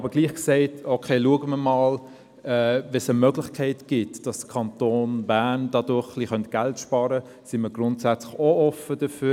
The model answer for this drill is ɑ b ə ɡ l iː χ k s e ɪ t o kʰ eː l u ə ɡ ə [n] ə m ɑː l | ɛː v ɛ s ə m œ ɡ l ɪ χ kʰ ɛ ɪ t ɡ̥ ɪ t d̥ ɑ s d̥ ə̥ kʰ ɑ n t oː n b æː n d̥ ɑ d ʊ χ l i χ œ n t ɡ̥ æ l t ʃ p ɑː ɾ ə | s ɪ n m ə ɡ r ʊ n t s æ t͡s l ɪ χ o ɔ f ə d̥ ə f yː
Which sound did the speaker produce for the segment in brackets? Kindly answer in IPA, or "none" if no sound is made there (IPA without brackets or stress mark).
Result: m